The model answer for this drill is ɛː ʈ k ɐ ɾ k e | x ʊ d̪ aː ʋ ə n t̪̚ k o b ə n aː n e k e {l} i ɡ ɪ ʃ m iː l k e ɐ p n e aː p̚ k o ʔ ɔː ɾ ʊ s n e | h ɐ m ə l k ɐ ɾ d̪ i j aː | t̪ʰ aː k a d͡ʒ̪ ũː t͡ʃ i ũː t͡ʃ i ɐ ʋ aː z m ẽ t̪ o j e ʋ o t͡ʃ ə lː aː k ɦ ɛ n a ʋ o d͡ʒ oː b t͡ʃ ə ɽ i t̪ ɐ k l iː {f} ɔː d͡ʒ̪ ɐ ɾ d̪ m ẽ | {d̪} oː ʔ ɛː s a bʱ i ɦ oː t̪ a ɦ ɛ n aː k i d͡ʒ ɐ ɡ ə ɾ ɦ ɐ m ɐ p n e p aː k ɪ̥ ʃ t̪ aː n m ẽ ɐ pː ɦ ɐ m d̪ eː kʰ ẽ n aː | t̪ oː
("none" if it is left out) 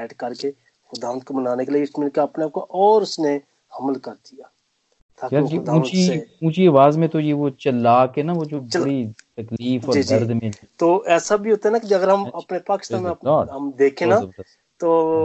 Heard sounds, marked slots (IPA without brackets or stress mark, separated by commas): l, f, t̪